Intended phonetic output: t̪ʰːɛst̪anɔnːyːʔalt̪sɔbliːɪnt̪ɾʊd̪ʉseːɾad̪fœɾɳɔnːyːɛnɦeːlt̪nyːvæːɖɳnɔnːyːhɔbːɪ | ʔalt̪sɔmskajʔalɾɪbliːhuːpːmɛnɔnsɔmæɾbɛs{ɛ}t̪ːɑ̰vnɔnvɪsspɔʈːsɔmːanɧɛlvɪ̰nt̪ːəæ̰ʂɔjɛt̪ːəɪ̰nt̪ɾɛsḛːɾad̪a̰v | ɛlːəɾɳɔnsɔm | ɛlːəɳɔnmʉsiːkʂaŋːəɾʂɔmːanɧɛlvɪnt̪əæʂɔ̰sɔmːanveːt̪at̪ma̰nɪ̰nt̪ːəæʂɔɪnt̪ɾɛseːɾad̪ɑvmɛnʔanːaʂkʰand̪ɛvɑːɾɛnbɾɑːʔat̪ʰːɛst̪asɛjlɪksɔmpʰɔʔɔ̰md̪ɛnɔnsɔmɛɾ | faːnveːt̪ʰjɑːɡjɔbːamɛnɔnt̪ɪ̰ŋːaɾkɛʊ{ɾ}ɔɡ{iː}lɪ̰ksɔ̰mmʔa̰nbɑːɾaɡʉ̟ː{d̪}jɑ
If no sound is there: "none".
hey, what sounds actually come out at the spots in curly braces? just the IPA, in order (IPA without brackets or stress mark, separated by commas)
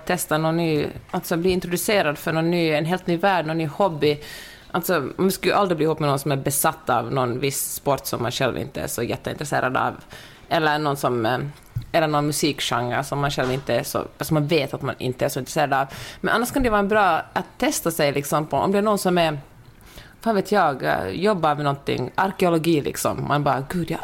a, l, iː, d̪